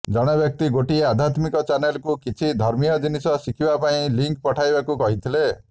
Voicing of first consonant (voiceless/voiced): voiced